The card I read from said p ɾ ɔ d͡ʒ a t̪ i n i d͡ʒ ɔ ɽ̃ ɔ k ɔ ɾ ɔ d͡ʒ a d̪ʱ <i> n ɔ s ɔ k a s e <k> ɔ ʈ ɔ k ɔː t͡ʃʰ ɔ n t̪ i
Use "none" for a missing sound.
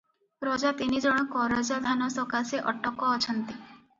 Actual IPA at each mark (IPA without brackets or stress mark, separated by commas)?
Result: a, ʔ